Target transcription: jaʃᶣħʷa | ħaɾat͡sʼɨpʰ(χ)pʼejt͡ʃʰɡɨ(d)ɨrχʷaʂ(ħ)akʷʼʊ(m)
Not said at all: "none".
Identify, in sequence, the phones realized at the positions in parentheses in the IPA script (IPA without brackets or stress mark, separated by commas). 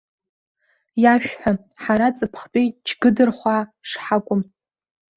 χ, d, ħ, m